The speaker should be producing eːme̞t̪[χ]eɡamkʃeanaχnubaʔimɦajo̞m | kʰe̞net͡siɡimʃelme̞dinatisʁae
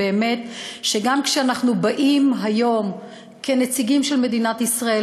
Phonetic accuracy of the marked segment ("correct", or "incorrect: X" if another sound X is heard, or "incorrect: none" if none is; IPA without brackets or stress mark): incorrect: ʃ